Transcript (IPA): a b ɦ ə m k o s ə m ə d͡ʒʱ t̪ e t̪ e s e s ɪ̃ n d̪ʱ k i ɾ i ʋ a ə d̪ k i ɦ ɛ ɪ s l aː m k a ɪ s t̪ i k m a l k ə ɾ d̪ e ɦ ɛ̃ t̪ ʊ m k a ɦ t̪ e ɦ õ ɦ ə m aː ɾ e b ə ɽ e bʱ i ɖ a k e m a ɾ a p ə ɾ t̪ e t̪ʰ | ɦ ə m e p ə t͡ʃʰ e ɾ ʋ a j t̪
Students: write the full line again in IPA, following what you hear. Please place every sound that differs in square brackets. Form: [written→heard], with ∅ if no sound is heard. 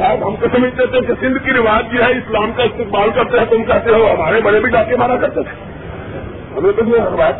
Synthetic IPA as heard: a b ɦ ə m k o s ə m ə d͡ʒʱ t̪ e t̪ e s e s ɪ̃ n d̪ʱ k i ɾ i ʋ a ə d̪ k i ɦ ɛ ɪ s l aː m k a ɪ s t̪ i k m a l k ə ɾ [d̪→t̪] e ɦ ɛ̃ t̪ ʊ m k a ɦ t̪ e ɦ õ ɦ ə m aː ɾ e b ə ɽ e bʱ i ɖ a k e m a ɾ a [p→k] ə ɾ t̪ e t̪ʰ | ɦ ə m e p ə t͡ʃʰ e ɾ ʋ a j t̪